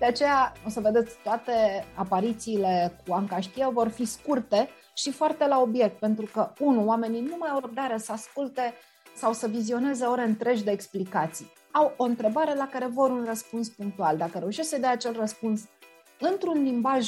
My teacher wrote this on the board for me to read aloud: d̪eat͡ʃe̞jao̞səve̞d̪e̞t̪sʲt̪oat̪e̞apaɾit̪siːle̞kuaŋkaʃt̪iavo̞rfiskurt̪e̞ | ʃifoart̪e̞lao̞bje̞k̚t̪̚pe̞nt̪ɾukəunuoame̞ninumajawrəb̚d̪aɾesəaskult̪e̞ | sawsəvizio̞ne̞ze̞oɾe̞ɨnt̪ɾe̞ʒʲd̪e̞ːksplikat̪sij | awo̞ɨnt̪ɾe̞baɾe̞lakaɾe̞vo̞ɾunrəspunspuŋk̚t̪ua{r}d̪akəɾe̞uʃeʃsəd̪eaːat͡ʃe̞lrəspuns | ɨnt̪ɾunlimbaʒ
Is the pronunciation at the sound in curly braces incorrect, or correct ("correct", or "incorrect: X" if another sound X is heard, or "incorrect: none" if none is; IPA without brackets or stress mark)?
incorrect: l